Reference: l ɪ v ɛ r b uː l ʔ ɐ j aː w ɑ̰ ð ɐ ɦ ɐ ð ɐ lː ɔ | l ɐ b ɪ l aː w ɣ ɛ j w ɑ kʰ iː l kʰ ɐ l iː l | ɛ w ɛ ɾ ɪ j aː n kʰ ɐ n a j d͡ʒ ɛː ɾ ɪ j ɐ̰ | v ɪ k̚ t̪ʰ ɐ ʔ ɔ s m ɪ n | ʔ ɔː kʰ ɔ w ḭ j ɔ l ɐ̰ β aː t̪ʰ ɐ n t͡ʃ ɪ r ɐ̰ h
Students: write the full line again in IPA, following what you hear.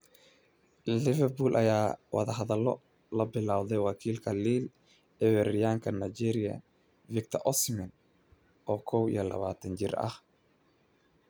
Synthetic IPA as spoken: l ɪ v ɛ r b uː l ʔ ɐ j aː w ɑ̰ ð ɐ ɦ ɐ ð ɐ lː ɔ | l ɐ b ɪ l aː w ð ɛ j w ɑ kʰ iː l kʰ ɐ l iː l | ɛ w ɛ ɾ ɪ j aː ŋ kʰ ɐ n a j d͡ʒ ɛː ɾ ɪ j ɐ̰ | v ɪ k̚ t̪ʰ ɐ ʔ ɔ s m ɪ n | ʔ ɔː kʰ ɔ w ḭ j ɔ l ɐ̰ β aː t̪ʰ ɐ n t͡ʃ ɪ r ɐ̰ h